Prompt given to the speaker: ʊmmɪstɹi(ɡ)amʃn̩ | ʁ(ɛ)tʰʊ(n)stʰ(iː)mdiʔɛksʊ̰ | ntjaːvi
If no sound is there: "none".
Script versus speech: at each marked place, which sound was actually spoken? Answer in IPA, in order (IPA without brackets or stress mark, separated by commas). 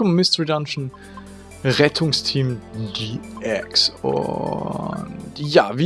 d, ɛ, ŋ, iː